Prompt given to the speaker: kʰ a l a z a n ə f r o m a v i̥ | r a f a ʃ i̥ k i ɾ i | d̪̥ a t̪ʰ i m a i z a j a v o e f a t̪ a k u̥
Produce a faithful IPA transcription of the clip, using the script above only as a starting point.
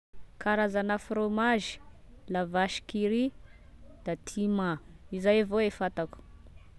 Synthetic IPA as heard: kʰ a ɾ a z a n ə f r o m a ʒ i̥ | l a v a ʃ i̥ k i ɾ i | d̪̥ a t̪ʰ i m a i z a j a v o e f a t̪ a k u̥